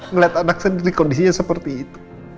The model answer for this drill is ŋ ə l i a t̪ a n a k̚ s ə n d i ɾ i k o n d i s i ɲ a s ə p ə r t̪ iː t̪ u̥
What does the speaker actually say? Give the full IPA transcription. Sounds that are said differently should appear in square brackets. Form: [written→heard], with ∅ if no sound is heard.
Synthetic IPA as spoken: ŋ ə l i a t̪ a n a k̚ s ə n d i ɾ i k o n d i s i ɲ a s ə p ə r t̪ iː t̪ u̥